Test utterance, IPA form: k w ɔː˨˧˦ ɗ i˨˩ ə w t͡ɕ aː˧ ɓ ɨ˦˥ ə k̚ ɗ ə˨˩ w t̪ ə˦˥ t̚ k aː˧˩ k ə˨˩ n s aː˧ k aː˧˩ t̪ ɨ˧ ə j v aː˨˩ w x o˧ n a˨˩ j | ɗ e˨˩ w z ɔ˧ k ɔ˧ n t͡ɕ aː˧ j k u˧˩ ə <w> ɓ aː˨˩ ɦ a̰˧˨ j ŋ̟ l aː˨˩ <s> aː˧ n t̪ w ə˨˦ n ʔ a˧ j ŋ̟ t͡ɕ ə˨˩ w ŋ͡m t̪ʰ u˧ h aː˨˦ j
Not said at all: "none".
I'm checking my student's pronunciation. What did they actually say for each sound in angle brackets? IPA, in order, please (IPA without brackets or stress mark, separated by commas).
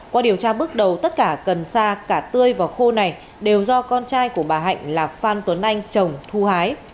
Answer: none, f